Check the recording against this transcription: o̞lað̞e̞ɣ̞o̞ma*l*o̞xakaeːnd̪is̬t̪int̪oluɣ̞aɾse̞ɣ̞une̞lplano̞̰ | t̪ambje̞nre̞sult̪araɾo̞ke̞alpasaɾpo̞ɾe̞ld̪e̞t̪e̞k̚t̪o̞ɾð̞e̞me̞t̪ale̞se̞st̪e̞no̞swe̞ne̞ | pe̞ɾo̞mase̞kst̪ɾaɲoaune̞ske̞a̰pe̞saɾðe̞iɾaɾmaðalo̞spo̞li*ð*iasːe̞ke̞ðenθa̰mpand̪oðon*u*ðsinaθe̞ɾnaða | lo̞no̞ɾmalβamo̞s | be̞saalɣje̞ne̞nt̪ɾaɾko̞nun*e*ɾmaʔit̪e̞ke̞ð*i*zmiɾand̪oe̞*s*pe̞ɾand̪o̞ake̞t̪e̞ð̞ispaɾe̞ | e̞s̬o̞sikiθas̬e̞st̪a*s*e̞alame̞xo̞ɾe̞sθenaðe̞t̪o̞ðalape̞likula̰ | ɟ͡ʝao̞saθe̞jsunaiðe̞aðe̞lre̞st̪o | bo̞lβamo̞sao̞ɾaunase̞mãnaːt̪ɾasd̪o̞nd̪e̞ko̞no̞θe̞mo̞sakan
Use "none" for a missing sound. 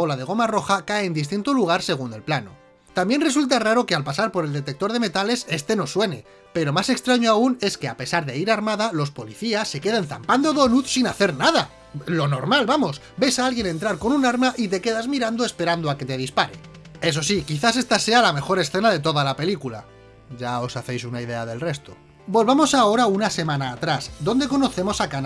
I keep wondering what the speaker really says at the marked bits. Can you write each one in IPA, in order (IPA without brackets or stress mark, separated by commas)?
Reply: r, θ, u, a, a, s, s